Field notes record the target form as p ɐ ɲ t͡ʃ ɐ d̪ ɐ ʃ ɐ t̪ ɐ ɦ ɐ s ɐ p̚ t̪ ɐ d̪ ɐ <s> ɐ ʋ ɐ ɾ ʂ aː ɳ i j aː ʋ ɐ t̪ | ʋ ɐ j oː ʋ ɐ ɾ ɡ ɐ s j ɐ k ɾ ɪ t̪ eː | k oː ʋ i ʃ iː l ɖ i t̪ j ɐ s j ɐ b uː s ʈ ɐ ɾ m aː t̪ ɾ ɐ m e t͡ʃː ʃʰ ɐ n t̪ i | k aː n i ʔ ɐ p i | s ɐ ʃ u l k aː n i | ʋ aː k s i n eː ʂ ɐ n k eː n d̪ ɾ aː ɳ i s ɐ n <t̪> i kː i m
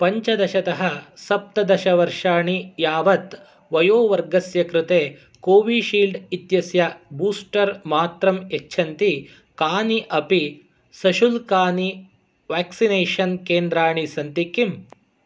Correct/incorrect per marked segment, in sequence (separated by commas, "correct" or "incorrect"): incorrect, correct